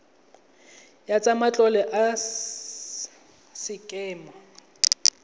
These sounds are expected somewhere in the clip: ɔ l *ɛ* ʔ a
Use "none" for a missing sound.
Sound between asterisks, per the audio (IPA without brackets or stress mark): ɛ